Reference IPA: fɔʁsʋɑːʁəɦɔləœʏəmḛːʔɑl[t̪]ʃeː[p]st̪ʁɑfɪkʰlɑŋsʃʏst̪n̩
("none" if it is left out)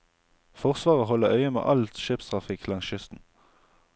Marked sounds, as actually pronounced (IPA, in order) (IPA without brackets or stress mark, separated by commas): t̪, p